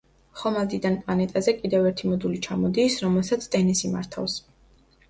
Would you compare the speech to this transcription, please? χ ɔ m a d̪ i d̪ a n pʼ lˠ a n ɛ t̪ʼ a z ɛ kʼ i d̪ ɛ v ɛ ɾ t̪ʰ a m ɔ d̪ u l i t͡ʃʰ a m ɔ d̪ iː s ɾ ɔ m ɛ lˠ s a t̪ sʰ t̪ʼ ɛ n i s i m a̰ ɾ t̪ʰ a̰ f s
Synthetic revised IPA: χ ɔ m a d̪ i d̪ a n pʼ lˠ a n ɛ t̪ʼ a z ɛ kʼ i d̪ ɛ v ɛ ɾ t̪ʰ i m ɔ d̪ u l i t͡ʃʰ a m ɔ d̪ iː s ɾ ɔ m ɛ lˠ s a t̪ sʰ t̪ʼ ɛ n i s i m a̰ ɾ t̪ʰ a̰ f s